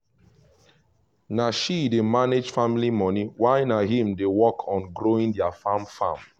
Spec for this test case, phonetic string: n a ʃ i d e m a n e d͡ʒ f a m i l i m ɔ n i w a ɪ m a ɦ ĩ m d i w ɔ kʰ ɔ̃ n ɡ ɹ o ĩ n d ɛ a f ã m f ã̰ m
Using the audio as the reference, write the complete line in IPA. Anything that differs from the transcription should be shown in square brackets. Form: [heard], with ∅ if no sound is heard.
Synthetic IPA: n a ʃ i d e m a n e d͡ʒ f a m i l i m ɔ n i w a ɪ [n] a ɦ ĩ m d [e] w ɔ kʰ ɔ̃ n ɡ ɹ o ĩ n d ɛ a f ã m f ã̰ m